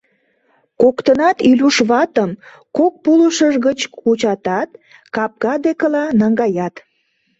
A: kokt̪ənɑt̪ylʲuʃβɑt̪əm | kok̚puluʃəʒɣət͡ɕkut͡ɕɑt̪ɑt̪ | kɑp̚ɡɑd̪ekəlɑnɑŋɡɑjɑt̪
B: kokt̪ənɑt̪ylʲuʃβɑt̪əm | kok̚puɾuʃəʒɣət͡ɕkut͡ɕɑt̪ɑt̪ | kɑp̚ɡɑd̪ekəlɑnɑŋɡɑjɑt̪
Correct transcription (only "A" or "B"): A